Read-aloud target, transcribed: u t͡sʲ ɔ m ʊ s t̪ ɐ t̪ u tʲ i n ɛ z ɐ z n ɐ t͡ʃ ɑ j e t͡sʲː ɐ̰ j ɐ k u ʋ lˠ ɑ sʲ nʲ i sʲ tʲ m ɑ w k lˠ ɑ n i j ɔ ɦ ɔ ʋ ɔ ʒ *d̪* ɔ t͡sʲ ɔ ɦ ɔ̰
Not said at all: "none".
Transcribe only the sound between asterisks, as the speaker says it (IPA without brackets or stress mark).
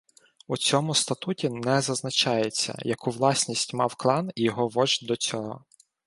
d̪